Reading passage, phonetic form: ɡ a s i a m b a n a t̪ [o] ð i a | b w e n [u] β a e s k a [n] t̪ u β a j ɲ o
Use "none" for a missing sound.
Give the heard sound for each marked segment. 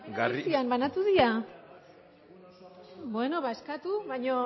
u, o, none

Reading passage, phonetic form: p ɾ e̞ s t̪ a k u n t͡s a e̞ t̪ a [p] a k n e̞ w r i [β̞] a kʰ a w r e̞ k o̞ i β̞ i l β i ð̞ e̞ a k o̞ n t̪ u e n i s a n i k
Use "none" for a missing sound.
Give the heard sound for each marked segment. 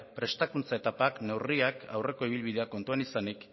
p, none

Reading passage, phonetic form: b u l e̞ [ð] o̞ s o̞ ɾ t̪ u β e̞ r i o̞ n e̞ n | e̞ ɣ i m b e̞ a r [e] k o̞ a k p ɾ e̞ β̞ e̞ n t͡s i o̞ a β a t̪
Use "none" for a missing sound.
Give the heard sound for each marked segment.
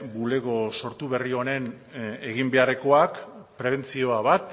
ɣ, e

